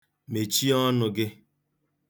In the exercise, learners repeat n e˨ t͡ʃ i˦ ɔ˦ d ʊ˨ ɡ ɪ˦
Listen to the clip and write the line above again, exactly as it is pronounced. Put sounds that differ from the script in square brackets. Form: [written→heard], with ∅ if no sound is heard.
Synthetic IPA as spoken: [n→m] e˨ t͡ʃ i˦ ɔ˦ [d→n] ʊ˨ ɡ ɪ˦